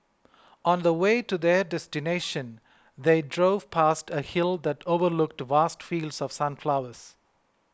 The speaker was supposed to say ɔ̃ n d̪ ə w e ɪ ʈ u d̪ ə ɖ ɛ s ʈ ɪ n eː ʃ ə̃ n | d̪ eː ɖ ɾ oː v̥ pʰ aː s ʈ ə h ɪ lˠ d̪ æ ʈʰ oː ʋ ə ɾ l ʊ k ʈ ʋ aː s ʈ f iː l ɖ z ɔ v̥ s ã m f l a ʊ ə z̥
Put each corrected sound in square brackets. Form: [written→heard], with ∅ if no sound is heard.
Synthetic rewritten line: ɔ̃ n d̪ ə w e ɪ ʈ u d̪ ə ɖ ɛ s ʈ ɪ n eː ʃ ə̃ n | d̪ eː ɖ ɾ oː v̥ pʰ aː s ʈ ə h ɪ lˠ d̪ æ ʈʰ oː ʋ ə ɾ l ʊ k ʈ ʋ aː s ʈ f iː l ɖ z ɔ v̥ s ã [m→n] f l a ʊ ə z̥